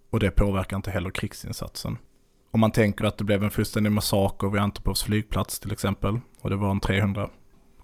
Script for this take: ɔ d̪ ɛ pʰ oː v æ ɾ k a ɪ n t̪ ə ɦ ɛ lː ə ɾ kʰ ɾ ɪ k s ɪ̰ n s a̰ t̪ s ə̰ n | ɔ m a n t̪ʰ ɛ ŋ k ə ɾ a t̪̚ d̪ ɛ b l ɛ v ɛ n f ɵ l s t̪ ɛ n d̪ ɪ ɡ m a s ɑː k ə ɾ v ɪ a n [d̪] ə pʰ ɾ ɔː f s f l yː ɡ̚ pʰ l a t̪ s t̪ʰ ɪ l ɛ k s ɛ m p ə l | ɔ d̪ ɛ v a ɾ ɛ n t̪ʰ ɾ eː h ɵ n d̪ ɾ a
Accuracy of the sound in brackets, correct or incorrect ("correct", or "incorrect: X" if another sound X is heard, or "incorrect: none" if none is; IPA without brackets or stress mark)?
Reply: incorrect: t̪